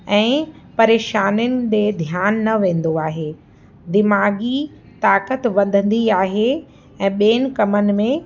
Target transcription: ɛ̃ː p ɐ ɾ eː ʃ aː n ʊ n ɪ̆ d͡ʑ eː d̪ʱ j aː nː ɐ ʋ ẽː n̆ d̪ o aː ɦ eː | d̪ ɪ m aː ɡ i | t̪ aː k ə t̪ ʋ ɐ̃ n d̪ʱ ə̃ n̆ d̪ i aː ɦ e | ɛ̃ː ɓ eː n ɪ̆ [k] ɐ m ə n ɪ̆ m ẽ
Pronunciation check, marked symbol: correct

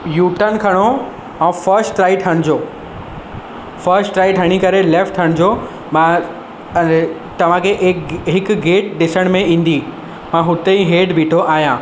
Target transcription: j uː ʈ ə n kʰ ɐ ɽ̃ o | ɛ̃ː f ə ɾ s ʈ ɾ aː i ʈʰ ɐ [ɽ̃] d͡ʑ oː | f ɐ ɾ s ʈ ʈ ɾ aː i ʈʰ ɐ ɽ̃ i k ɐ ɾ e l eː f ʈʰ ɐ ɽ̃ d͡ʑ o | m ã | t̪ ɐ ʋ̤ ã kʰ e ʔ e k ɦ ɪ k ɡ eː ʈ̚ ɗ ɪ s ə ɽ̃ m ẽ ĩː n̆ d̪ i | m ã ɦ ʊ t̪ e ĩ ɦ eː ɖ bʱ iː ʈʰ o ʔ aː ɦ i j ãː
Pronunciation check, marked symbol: correct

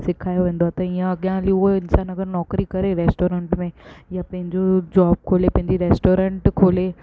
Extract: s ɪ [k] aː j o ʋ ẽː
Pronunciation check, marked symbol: incorrect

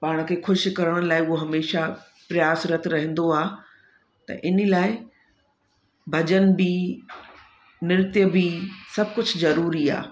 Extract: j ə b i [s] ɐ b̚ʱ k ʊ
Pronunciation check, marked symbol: correct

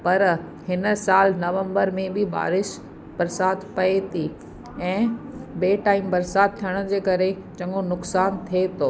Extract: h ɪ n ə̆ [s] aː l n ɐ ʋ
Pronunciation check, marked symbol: correct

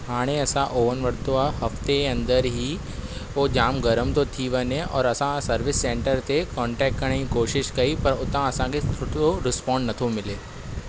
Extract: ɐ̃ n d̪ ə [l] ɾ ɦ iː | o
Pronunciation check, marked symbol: incorrect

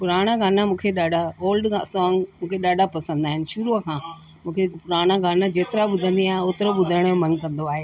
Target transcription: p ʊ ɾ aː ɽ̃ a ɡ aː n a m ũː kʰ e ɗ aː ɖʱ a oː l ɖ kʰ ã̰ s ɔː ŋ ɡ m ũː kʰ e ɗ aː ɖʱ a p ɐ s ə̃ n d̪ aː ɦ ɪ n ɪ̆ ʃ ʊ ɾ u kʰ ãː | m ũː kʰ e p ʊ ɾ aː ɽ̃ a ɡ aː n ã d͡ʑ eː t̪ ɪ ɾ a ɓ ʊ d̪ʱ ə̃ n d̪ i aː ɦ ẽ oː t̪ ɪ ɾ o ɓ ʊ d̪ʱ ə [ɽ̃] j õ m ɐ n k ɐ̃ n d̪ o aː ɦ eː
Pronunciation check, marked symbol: correct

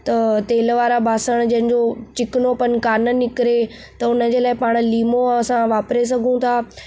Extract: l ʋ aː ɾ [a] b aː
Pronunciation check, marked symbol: correct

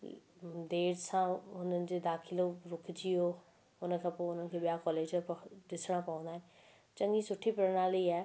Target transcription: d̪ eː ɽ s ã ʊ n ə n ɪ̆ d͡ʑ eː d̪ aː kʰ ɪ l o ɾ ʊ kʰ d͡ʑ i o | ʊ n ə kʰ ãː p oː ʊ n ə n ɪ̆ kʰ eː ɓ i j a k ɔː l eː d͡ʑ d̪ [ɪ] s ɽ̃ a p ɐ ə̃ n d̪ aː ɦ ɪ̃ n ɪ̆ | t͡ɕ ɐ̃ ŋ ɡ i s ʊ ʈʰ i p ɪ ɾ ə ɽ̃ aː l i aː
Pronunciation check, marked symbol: correct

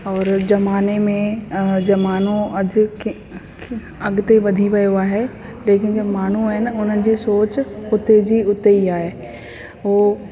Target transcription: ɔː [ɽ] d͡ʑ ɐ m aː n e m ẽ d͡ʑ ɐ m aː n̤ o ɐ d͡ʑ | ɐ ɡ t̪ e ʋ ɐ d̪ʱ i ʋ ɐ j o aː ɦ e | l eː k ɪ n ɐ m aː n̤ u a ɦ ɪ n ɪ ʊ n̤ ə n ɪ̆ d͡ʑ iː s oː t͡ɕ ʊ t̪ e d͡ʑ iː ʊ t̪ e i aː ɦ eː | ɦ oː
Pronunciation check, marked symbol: incorrect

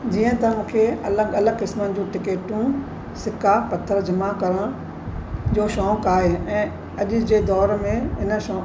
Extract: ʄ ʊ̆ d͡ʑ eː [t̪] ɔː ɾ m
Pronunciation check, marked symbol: incorrect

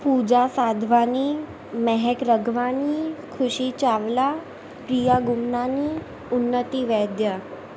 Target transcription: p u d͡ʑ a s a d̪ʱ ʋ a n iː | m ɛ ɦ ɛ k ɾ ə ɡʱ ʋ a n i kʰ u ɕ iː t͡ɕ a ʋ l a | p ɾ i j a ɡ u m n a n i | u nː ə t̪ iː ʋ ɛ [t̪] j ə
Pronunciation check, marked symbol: incorrect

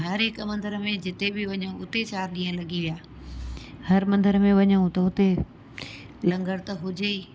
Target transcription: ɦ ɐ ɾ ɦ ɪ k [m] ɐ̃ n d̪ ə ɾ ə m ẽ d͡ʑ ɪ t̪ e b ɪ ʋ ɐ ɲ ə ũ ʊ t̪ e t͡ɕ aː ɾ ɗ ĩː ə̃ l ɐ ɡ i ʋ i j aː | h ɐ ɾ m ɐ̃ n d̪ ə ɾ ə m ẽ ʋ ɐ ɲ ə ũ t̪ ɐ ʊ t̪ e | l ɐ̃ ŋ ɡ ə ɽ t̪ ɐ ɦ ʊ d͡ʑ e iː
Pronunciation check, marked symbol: correct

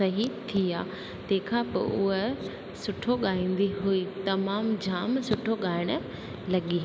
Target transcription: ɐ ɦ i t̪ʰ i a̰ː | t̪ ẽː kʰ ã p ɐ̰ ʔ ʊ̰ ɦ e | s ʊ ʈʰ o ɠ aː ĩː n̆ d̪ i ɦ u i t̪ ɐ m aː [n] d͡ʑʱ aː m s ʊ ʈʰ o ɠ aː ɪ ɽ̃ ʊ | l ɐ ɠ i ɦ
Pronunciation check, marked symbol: incorrect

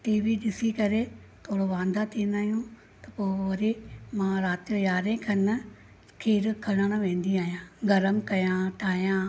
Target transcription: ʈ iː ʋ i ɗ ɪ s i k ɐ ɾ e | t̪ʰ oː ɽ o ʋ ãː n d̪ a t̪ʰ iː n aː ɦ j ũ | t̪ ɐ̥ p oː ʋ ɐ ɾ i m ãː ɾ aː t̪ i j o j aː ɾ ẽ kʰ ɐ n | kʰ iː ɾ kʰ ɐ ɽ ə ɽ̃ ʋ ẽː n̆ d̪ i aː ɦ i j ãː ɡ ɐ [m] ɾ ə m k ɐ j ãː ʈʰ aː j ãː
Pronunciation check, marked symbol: incorrect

